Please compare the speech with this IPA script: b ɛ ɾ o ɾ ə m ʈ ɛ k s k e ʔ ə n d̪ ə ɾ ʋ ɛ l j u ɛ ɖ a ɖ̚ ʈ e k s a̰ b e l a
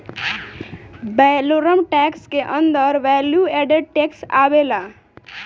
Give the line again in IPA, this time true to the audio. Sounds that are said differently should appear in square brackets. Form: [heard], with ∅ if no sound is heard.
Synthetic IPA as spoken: b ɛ [l] o ɾ ə m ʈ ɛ k s k e ʔ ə n d̪ ə ɾ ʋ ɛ l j u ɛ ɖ [e] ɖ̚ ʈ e k s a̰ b e l a